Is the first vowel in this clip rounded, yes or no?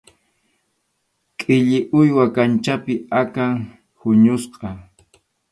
no